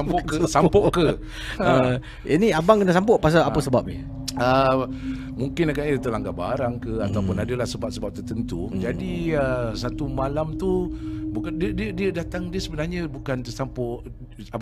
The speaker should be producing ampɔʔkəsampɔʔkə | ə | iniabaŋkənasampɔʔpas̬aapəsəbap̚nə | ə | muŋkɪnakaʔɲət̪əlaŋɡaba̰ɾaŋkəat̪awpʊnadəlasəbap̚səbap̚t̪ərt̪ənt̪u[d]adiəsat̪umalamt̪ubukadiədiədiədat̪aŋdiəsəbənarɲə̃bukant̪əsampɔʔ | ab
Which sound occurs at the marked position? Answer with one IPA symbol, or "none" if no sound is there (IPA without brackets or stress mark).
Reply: d͡ʒ